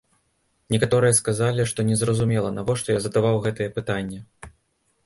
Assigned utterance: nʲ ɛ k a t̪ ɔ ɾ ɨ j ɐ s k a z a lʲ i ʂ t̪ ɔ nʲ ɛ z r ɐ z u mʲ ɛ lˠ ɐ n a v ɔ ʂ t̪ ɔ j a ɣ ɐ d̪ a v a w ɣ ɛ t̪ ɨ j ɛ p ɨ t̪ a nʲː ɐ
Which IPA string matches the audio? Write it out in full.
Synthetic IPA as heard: nʲ ɛ k a t̪ ɔ ɾ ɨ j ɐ s k a z a lʲ i ʂ t̪ ɔ nʲ ɛ z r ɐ z u mʲ ɛ lˠ ɐ n a v ɔ ʂ t̪ ɔ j a z ɐ d̪ a v a w ɣ ɛ t̪ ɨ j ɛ p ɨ t̪ a nʲː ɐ